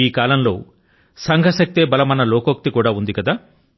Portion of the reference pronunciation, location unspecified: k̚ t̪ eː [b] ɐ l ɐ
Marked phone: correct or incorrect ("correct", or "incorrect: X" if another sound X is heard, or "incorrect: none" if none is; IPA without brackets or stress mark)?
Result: correct